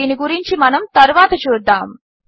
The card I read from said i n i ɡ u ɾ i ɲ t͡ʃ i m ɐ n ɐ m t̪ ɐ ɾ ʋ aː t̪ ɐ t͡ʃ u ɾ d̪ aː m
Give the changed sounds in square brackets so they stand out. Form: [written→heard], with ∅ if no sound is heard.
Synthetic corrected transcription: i n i ɡ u ɾ i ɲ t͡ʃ i m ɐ n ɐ m t̪ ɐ ɾ ʋ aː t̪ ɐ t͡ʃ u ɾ d̪ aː m

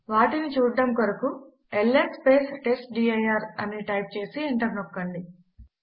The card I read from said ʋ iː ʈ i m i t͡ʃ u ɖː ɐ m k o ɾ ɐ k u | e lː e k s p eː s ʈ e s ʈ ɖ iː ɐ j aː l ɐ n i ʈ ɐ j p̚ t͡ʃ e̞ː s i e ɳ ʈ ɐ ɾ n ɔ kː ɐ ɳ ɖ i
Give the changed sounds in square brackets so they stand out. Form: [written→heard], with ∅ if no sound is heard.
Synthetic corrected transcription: ʋ [iː→aː] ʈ i [m→n] i t͡ʃ [u→uː] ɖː ɐ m k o ɾ ɐ k u | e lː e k s p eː s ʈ e s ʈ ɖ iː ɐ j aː [l→ɾ] ɐ n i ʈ ɐ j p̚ t͡ʃ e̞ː s i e ɳ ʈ ɐ ɾ n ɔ kː ɐ ɳ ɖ i

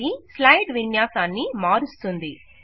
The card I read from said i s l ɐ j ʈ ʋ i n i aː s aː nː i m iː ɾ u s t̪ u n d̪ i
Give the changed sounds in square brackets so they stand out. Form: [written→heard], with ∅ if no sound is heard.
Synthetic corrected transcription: i s l ɐ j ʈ ʋ i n [i→j] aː s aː nː i m [iː→aː] ɾ u s t̪ u n d̪ i

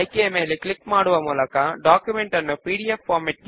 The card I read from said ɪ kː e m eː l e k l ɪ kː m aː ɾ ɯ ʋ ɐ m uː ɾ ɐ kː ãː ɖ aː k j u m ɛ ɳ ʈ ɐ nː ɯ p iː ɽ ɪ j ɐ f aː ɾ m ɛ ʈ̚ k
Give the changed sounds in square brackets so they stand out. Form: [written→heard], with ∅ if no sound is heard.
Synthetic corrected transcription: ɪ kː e m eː l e k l ɪ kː m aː [ɾ→ɽ] ɯ ʋ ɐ m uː [ɾ→l] ɐ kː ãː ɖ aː k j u m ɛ ɳ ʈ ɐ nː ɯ p iː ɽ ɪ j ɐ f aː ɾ m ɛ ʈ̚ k

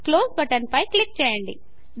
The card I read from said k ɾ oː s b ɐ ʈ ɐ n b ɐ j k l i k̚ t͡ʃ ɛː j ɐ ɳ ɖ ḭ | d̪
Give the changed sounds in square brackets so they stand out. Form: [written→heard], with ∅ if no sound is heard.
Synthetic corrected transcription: k [ɾ→l] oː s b ɐ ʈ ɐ n [b→p] ɐ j k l i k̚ t͡ʃ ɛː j ɐ ɳ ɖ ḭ | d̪

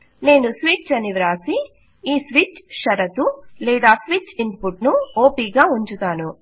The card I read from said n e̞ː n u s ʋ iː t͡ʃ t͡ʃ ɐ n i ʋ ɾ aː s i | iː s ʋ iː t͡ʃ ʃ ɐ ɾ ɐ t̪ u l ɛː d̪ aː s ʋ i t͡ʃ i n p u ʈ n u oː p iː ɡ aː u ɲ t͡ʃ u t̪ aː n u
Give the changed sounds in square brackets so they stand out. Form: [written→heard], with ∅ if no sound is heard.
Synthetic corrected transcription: n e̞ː n u s ʋ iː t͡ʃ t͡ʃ ɐ n i ʋ ɾ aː s i | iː s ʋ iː t͡ʃ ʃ ɐ ɾ ɐ t̪ u l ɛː d̪ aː s ʋ i t͡ʃ i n p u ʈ n u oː p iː ɡ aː u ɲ t͡ʃ u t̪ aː n u

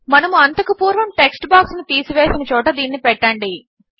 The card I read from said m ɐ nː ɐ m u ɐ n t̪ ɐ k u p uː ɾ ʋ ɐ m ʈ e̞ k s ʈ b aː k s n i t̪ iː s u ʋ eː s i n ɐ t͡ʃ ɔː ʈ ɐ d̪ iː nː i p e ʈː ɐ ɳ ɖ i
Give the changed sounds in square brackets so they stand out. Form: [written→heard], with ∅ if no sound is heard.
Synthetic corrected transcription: m ɐ [nː→n] ɐ m u ɐ n t̪ ɐ k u p uː ɾ ʋ ɐ m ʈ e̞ k s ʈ b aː k s n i t̪ iː s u ʋ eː s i n ɐ t͡ʃ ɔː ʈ ɐ d̪ iː nː i p [e→ɛ] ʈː ɐ ɳ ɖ i

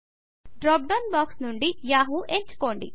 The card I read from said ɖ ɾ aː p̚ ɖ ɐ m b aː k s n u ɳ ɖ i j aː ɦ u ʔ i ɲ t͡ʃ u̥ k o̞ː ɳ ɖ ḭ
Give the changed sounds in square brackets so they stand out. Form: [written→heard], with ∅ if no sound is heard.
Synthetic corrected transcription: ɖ ɾ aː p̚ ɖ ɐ [m→n] b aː k s n u ɳ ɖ i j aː ɦ u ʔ [i→e] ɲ t͡ʃ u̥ k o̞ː ɳ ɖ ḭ

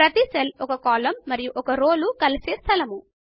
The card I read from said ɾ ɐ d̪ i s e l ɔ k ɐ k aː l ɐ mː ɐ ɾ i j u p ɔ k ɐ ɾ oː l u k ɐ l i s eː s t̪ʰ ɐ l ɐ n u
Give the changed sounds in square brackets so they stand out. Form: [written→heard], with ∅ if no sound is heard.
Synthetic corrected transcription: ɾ ɐ [d̪→t̪] i s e l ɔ k ɐ k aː l ɐ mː ɐ ɾ i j u [p→ʔ] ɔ k ɐ ɾ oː l u k ɐ l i s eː s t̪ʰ ɐ l ɐ [n→m] u

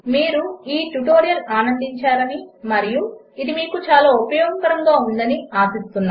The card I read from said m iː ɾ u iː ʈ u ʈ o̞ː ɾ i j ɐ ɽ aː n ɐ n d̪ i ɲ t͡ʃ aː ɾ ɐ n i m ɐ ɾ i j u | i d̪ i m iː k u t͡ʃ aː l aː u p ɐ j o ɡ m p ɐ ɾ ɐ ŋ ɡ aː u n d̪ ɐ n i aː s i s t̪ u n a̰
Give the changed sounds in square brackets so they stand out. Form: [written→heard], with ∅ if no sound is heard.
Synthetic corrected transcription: m iː ɾ u iː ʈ u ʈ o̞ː ɾ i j ɐ [ɽ→l] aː n ɐ n d̪ i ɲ t͡ʃ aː ɾ ɐ n i m ɐ ɾ i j u | i d̪ i m iː k u t͡ʃ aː l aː u p ɐ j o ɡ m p ɐ ɾ ɐ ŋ ɡ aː u n d̪ ɐ n i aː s i s t̪ u [n→nː] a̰

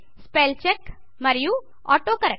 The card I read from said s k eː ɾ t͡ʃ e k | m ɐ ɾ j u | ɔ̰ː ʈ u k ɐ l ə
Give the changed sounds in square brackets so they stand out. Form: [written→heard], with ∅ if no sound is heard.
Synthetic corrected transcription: s [k→p] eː [ɾ→l] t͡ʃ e k | m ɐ ɾ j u | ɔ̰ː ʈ [u→o] k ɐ [l→ɾ] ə

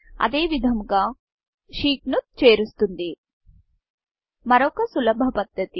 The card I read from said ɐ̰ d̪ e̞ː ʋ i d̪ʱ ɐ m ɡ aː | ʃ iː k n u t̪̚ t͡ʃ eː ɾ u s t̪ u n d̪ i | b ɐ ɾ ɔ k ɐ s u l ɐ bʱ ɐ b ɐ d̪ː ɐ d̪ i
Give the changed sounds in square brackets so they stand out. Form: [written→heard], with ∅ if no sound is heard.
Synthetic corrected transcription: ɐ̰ d̪ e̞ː ʋ i d̪ʱ ɐ m ɡ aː | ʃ iː k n u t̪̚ t͡ʃ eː ɾ u s t̪ u n d̪ i | [b→m] ɐ ɾ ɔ k ɐ s u l ɐ bʱ ɐ [b→p] ɐ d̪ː ɐ [d̪→t̪] i

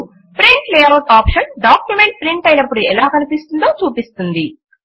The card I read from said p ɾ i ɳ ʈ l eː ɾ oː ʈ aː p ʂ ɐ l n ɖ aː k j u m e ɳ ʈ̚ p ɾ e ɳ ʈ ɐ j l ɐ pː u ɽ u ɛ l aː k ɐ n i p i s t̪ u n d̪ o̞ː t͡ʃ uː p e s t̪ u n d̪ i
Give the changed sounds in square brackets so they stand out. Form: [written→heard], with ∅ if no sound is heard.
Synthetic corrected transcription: p ɾ i ɳ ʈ l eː ɾ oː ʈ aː p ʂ ɐ [l→∅] n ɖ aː k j u m e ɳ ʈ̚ p ɾ [e→i] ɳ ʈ ɐ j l ɐ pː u ɽ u ɛ l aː k ɐ n i p i s t̪ u n d̪ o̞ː t͡ʃ uː p [e→i] s t̪ u n d̪ i

